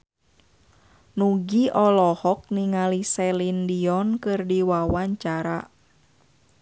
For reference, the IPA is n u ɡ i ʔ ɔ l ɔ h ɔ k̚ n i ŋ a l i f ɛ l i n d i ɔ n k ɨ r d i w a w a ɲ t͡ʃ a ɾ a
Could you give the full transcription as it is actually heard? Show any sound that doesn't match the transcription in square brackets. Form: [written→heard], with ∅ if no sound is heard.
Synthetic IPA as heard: n u ɡ i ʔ ɔ l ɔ h ɔ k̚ n i ŋ a l i [f→s] ɛ l i n d i ɔ n k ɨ r d i w a w a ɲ t͡ʃ a ɾ a

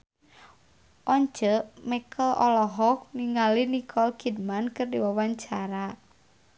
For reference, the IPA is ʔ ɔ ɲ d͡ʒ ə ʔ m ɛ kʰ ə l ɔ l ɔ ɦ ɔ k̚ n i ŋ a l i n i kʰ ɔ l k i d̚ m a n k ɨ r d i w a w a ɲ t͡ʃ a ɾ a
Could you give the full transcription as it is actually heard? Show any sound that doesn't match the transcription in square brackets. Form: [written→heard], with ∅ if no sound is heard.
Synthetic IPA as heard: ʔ ɔ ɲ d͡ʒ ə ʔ m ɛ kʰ ə l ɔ l ɔ ɦ ɔ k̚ n i ŋ a l i n i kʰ ɔ l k i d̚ m a n k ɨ r d i w a w a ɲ t͡ʃ a ɾ a

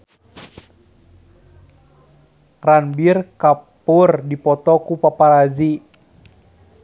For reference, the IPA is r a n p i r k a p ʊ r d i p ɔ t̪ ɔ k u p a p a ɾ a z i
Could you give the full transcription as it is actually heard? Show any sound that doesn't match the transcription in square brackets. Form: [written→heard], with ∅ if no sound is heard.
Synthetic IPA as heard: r a n [p→b] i r k a p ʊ r d i p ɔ t̪ ɔ k u p a p a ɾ a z i

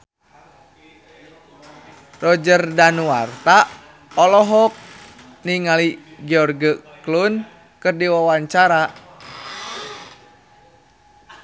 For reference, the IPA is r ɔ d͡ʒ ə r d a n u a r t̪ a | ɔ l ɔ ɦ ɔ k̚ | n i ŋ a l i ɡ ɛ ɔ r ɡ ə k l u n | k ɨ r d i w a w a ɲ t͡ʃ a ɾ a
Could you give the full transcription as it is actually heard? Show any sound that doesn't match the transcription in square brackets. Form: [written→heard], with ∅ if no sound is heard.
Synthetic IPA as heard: r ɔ d͡ʒ ə r d a n u a r t̪ a | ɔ l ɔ ɦ ɔ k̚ | n i ŋ a l i ɡ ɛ ɔ r ɡ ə k l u n | k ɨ r d i w a w a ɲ t͡ʃ a ɾ a

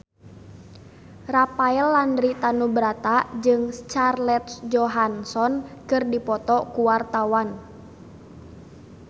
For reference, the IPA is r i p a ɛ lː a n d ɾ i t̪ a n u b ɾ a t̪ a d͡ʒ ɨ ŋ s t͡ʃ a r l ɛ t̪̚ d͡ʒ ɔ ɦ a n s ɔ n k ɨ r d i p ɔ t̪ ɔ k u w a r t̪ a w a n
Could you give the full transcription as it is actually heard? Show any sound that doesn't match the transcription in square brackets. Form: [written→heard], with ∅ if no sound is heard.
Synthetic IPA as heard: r [i→a] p a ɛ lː a n d ɾ i t̪ a n u b ɾ a t̪ a d͡ʒ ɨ ŋ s t͡ʃ a r l ɛ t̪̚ d͡ʒ ɔ ɦ a n s ɔ n k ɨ r d i p ɔ t̪ ɔ k u w a r t̪ a w a n

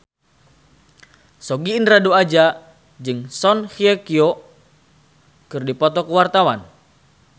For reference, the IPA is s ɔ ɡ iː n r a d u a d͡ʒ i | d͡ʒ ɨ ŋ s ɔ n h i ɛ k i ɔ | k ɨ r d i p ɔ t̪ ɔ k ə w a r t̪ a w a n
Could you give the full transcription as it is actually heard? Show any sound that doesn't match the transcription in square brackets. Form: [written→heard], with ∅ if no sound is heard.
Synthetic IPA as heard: s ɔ ɡ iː n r a d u a d͡ʒ [i→a] | d͡ʒ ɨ ŋ s ɔ n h i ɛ k i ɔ | k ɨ r d i p ɔ t̪ ɔ k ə w a r t̪ a w a n

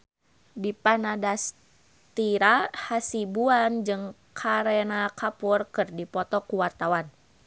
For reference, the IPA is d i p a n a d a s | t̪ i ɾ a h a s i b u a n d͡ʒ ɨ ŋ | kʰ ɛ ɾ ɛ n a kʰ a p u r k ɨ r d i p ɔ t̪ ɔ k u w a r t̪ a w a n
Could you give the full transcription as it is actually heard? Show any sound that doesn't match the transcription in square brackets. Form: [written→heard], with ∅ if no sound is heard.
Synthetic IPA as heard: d i p a n a d a s | t̪ i ɾ a h a s i b u a n d͡ʒ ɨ ŋ | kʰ [ɛ→a] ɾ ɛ n a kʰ a p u r k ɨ r d i p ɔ t̪ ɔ k u w a r t̪ a w a n

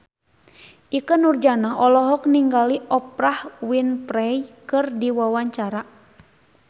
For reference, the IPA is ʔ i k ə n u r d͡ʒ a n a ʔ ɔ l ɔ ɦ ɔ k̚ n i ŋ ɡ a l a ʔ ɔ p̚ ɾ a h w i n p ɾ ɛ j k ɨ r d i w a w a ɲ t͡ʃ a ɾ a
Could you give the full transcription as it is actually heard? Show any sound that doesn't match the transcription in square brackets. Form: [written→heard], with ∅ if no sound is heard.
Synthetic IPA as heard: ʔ i k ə n u r d͡ʒ a n a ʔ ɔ l ɔ ɦ ɔ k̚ n i ŋ ɡ a l [a→i] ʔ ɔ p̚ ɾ a h w i n p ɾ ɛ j k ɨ r d i w a w a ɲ t͡ʃ a ɾ a

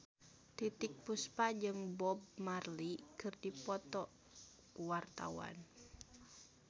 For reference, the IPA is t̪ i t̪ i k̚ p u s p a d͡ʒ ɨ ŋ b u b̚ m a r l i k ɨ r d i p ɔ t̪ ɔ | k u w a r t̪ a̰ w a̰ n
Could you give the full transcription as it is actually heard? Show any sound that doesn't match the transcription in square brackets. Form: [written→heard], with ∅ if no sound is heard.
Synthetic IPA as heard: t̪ i t̪ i k̚ p u s p a d͡ʒ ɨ ŋ b [u→ɔ] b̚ m a r l i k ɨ r d i p ɔ t̪ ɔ | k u w a r t̪ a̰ w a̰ n

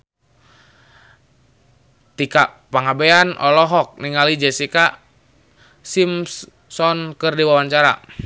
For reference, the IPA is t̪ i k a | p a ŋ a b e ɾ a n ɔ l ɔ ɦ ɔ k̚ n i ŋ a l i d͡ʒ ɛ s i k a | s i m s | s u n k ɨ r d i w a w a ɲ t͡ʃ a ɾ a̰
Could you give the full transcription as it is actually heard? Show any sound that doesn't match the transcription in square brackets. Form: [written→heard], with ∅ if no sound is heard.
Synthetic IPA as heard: t̪ i k a | p a ŋ a b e [ɾ→∅] a n ɔ l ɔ ɦ ɔ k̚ n i ŋ a l i d͡ʒ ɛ s i k a | s i m s | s [u→ɔ] n k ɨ r d i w a w a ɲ t͡ʃ a ɾ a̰

